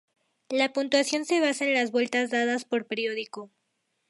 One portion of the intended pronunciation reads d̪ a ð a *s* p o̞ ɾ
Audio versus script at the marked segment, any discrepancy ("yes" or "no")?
no